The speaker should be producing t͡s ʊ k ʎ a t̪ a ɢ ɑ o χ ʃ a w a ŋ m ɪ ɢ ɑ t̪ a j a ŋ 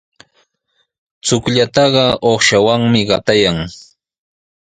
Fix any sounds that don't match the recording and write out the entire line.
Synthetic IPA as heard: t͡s ʊ k ʎ a t̪ ɑ ɢ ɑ o χ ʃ a w a ŋ m ɪ ɢ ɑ t̪ a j a ŋ